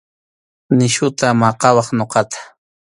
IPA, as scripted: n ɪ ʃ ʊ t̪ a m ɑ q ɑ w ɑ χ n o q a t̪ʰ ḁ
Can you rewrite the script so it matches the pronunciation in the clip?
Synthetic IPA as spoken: n ɪ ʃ ʊ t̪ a m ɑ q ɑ w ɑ χ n o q ɑ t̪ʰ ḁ